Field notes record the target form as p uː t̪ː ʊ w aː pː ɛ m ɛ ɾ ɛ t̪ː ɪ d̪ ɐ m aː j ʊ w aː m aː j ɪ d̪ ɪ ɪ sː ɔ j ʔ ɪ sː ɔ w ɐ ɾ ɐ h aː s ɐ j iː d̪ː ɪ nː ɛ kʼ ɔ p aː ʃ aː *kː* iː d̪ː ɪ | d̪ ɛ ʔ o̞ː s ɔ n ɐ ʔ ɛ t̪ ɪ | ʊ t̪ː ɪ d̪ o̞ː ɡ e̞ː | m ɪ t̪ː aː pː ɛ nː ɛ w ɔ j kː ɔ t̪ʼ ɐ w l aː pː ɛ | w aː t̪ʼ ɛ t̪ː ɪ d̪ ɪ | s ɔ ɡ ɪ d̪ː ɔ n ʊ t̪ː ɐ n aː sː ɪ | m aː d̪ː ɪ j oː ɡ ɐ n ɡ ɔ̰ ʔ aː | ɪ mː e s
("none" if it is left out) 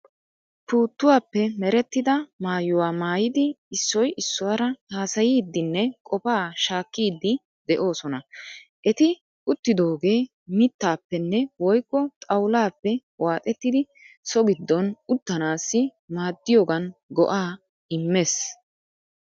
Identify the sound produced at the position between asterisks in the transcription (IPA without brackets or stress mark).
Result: kː